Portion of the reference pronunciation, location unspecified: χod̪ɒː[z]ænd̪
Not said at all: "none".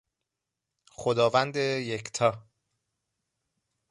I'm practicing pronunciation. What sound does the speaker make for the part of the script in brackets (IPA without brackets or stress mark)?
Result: v